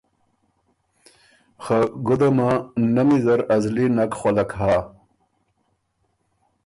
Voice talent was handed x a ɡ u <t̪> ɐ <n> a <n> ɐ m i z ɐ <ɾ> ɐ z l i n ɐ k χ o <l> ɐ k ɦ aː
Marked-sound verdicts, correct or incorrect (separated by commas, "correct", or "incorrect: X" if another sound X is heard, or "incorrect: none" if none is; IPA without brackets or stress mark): incorrect: d̪, incorrect: m, correct, correct, correct